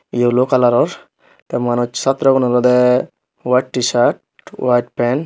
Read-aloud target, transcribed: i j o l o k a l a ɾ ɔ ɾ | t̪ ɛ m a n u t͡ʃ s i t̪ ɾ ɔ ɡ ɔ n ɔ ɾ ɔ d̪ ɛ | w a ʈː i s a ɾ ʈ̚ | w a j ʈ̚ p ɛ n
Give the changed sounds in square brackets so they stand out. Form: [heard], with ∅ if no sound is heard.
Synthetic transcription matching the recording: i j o l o k a l a ɾ ɔ ɾ | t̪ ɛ m a n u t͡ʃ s [a] t̪ ɾ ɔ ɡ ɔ n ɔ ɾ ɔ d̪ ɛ | w a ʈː i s a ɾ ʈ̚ | w a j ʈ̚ p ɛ n